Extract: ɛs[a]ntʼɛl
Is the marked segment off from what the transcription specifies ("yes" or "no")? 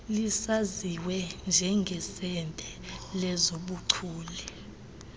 yes